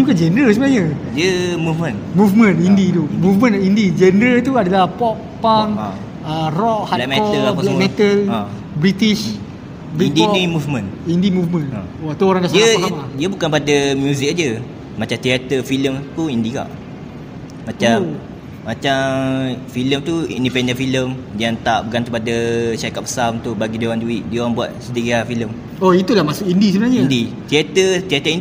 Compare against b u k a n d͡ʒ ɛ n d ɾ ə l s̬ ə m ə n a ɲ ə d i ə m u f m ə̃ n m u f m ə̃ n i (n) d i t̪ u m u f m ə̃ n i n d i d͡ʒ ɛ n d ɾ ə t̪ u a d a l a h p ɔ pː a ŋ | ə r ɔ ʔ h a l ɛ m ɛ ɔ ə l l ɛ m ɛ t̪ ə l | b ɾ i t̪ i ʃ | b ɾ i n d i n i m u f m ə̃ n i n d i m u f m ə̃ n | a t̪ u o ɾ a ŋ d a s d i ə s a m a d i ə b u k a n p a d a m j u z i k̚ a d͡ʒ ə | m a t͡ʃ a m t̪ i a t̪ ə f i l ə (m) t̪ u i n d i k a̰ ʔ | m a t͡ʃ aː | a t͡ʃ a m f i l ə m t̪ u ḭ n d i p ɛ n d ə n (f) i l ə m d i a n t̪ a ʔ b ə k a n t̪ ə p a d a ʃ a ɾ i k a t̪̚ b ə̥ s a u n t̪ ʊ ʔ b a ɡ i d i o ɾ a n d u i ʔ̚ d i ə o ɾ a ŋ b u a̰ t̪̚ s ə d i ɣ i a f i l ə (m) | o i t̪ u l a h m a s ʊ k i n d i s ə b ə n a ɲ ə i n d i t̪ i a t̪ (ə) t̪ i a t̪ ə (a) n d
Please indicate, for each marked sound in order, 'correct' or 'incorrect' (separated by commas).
correct, correct, correct, correct, correct, incorrect